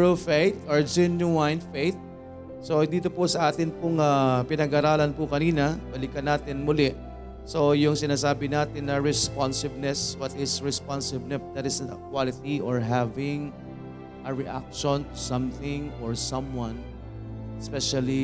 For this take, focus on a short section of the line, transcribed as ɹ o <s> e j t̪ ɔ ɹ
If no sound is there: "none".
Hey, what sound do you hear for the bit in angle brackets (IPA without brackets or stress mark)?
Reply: f